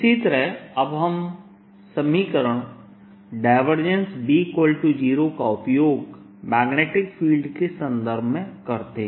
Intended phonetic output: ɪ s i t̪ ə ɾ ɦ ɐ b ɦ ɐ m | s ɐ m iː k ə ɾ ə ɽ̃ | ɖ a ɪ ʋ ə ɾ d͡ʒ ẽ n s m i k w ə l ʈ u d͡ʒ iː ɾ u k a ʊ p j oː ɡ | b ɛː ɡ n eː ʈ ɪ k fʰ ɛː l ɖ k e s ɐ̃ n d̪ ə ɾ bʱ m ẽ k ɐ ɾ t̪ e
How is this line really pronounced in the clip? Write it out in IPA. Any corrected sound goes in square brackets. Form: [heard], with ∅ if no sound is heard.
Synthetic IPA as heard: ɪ s i t̪ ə ɾ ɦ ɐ b ɦ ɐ m | s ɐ m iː k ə ɾ ə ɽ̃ | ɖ a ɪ ʋ ə ɾ d͡ʒ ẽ n s [b] i k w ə l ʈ u d͡ʒ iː ɾ [o] k a ʊ p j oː ɡ | [m] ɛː ɡ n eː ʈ ɪ k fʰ [iː] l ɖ k e s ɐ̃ n d̪ ə ɾ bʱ m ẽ k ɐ ɾ t̪ e

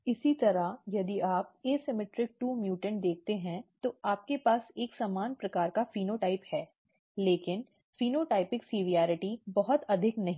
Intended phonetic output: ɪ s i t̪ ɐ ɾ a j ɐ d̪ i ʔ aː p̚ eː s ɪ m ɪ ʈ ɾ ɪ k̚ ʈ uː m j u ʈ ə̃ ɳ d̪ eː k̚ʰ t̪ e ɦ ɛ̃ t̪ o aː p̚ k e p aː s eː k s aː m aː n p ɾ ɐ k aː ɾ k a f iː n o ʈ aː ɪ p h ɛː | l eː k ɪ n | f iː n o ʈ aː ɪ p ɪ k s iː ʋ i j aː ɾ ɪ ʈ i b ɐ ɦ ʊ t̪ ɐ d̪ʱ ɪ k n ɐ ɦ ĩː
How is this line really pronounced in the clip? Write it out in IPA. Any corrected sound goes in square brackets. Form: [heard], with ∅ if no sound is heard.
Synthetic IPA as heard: ɪ s i t̪ ɐ ɾ a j ɐ d̪ i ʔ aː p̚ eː s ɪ m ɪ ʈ ɾ ɪ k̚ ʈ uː m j [uː] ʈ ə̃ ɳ d̪ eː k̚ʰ t̪ e ɦ ɛ̃ t̪ o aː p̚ k e p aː s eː k s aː m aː n p ɾ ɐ k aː ɾ k a f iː n o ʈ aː ɪ p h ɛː | l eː k ɪ n | f iː n o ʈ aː ɪ p ɪ k s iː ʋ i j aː ɾ ɪ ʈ i b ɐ ɦ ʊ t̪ ɐ d̪ʱ ɪ k n ɐ ɦ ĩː

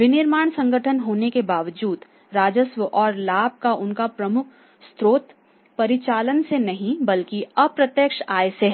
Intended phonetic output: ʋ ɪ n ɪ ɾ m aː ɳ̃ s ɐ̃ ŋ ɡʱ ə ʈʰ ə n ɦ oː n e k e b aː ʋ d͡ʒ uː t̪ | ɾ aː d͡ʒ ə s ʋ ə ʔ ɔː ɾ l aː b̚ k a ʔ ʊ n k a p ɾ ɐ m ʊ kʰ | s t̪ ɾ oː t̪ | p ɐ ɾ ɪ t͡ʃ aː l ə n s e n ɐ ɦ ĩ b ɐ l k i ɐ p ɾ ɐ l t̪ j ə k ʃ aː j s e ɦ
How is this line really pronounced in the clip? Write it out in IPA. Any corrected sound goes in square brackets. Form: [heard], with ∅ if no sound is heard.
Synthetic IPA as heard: ʋ ɪ n ɪ ɾ m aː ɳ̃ s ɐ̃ ŋ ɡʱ ə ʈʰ ə n ɦ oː n e k e b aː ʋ d͡ʒ uː [d̪] | ɾ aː d͡ʒ ə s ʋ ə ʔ ɔː ɾ l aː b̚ k a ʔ ʊ n k a p ɾ ɐ m ʊ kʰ | s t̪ ɾ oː t̪ | p ɐ ɾ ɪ t͡ʃ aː l ə n s e n ɐ ɦ ĩ b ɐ l k i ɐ p ɾ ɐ [∅] t̪ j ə k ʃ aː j s e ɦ

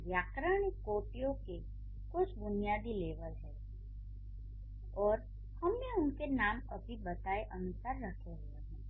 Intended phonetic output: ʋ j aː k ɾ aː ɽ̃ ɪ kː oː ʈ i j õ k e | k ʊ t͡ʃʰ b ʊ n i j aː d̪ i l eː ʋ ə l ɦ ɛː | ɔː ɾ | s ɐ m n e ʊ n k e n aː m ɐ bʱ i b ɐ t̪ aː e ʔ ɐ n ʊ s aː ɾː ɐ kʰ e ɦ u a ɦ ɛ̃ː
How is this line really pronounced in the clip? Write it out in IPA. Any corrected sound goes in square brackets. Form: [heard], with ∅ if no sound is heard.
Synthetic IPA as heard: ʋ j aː k ɾ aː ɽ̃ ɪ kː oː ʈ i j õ k e | k ʊ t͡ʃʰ b ʊ n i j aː d̪ i l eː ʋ ə l ɦ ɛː | ɔː ɾ | [h] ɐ m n e ʊ n k e n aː m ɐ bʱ i b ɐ t̪ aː e ʔ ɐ n ʊ s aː ɾː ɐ kʰ e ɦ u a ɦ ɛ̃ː

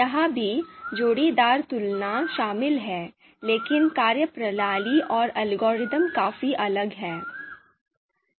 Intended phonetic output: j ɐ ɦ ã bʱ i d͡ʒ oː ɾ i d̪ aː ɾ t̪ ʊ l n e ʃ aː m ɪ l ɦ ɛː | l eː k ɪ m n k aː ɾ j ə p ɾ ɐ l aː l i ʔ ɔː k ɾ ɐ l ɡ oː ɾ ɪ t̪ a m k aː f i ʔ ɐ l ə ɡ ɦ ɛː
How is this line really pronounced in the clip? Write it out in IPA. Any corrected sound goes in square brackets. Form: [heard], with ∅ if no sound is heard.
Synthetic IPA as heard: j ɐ ɦ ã bʱ i d͡ʒ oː [ɽ] i d̪ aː ɾ t̪ ʊ l n [a] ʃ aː m ɪ l ɦ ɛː | l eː k ɪ [∅] n k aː ɾ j ə p ɾ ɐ l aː l i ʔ ɔː [∅] ɾ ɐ l ɡ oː ɾ ɪ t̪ [ə] m k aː f i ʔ ɐ l ə ɡ ɦ ɛː

